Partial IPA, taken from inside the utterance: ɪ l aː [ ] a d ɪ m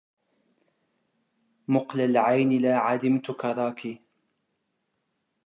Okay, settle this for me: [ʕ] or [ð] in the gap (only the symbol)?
ʕ